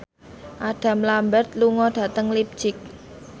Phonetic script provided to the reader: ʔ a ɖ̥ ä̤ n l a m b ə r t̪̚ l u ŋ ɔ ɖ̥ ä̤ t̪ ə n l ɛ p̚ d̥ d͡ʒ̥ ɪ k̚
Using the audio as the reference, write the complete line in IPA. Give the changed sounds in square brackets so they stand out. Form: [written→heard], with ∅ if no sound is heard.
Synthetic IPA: ʔ a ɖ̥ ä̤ [n→m] l a m b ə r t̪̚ l u ŋ ɔ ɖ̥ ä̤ t̪ ə [n→ŋ] l [ɛ→i] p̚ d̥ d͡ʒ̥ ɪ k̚